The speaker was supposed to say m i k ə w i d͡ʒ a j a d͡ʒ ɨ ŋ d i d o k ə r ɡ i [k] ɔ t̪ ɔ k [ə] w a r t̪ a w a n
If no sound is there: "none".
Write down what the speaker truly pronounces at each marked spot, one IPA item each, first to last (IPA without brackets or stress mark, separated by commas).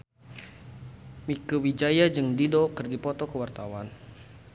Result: p, ə